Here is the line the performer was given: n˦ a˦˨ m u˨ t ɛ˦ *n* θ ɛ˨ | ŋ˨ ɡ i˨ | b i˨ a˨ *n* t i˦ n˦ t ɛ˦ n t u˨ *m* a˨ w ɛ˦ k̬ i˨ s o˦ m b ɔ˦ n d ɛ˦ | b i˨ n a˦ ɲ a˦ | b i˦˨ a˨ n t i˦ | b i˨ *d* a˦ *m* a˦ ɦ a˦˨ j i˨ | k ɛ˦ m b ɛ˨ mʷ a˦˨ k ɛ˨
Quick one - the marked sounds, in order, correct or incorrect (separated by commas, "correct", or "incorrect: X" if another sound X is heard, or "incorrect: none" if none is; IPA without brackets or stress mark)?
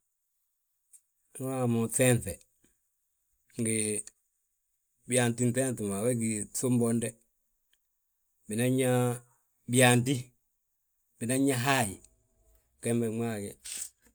correct, correct, correct, incorrect: n, incorrect: ɲ